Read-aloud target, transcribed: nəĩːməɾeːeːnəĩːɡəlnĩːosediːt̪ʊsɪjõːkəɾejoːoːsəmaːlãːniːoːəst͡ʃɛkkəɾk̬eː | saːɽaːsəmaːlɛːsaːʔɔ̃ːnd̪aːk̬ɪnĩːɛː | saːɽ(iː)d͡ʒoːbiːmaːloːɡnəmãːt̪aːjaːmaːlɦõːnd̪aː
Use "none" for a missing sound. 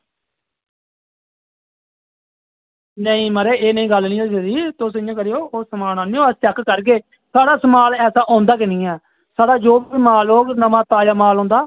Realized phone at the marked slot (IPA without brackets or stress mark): aː